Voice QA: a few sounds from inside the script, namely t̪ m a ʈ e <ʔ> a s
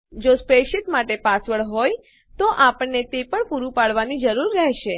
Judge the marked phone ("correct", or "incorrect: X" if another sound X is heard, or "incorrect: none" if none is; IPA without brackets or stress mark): incorrect: p